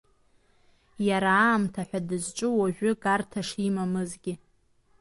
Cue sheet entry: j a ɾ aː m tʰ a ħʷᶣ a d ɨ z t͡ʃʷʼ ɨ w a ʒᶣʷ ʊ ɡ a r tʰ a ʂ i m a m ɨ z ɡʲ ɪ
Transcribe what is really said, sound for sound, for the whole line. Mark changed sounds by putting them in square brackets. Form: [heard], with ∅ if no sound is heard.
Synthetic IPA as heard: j a ɾ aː m tʰ a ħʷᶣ a d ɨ z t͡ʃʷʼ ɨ w a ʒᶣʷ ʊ ɡ a r tʰ a ʂ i m a m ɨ z ɡʲ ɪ

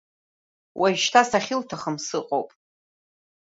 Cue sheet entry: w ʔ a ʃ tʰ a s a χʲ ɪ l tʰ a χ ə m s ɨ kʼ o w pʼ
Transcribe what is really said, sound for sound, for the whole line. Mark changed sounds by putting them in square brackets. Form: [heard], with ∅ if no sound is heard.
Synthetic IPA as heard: w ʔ a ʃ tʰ a s a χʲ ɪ l tʰ a χ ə m s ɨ [qʼ] o w pʼ

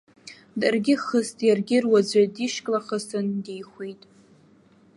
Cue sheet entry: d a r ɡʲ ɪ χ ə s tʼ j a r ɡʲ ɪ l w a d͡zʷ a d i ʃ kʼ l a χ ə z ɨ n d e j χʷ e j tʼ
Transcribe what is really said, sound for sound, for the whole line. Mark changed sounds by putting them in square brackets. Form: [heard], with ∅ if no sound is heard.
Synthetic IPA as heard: d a r ɡʲ ɪ χ ə s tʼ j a r ɡʲ ɪ [r] w a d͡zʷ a d i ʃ kʼ l a χ ə [s] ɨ n d e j χʷ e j tʼ

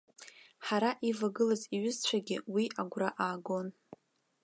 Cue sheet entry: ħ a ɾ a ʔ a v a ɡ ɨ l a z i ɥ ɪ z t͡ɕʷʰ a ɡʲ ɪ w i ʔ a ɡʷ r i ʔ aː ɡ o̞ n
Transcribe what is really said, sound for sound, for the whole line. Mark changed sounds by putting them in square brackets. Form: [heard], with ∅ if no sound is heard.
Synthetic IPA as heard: ħ a ɾ a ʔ [i] v a ɡ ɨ l a z i ɥ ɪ z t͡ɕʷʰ a ɡʲ ɪ w i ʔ a ɡʷ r [a] ʔ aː ɡ o̞ n

